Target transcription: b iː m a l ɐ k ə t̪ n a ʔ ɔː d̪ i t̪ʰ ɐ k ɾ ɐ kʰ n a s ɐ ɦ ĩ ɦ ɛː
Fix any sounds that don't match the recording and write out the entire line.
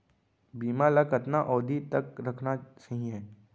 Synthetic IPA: b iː m a l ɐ k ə t̪ n a ʔ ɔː d̪ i t̪ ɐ k ɾ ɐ kʰ n a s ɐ ɦ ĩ ɦ ɛː